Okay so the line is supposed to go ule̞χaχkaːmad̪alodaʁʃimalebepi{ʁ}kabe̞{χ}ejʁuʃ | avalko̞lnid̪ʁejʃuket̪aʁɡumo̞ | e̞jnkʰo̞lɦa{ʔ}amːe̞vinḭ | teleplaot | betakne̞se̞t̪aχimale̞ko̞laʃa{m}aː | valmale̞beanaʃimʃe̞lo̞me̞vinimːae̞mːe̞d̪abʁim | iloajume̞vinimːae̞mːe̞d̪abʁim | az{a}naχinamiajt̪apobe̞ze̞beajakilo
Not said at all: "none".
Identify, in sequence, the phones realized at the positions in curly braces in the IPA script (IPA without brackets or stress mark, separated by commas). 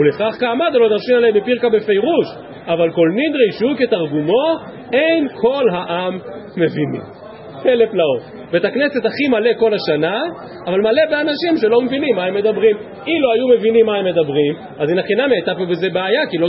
ʁ, f, ʔ, n, i